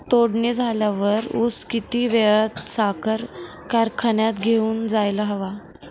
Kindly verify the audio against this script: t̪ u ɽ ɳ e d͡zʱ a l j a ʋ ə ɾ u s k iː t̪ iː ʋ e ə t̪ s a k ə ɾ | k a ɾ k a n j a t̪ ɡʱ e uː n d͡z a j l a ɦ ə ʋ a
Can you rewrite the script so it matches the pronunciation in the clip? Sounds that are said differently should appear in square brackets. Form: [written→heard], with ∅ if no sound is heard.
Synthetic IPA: t̪ [u→o] ɽ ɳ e d͡zʱ a l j a ʋ ə ɾ u s k [iː→i] t̪ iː ʋ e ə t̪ s a k ə ɾ | k a ɾ [k→kʰ] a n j a t̪ ɡʱ e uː n d͡z a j l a ɦ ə ʋ a